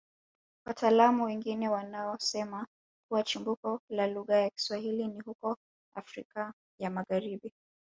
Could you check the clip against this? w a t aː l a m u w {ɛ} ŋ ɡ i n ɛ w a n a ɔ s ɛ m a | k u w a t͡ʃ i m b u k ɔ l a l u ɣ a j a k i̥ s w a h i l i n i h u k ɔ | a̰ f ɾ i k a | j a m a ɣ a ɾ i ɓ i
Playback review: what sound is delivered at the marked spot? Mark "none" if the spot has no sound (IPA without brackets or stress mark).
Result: ɛ